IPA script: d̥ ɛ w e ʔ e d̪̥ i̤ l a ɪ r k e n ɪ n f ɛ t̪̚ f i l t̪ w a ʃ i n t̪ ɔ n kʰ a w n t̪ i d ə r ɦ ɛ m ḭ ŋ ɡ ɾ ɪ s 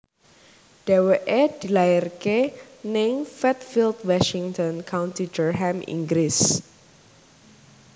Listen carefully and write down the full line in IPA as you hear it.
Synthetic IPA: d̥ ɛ w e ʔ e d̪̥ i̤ l a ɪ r k e n ɪ ŋ f ɛ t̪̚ f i l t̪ w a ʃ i ŋ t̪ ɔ n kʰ a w n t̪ i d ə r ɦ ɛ m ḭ ŋ ɡ ɾ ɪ s